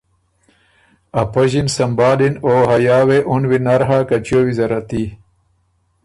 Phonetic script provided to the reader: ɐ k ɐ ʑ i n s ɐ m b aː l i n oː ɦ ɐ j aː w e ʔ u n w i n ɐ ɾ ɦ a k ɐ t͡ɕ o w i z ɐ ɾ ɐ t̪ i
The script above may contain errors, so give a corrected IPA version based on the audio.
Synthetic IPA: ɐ p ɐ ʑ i n s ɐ m b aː l i n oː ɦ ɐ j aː w e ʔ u n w i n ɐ ɾ ɦ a k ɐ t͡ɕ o w i z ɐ ɾ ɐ t̪ i